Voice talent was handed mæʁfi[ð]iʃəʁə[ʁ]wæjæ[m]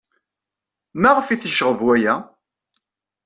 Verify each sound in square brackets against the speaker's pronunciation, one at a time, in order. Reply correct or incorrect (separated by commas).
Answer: incorrect, incorrect, incorrect